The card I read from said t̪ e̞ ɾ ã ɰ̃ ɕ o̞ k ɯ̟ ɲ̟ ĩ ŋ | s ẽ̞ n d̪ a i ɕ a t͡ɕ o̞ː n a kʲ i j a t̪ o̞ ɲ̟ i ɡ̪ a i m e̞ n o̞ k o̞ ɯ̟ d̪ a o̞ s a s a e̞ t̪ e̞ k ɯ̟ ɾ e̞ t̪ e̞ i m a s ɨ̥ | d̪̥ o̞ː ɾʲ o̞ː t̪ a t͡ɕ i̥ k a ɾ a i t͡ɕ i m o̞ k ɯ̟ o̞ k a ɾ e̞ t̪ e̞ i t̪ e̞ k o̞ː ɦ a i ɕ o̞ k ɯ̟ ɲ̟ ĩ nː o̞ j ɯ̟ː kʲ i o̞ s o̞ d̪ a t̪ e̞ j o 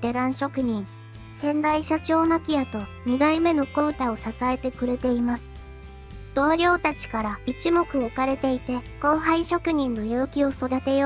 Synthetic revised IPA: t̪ e̞ ɾ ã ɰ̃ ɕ o̞ k ɯ̟ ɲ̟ ĩ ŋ | s ẽ̞ n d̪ a i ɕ a t͡ɕ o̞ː n a kʲ i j a t̪ o̞ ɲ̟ i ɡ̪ a i m e̞ n o̞ k o̞ ɯ̟ t̪ a o̞ s a s a e̞ t̪ e̞ k ɯ̟ ɾ e̞ t̪ e̞ i m a s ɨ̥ | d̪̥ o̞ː ɾʲ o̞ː t̪ a t͡ɕ i̥ k a ɾ a i t͡ɕ i m o̞ k ɯ̟ o̞ k a ɾ e̞ t̪ e̞ i t̪ e̞ k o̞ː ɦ a i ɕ o̞ k ɯ̟ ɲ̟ ĩ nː o̞ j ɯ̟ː kʲ i o̞ s o̞ d̪ a t̪ e̞ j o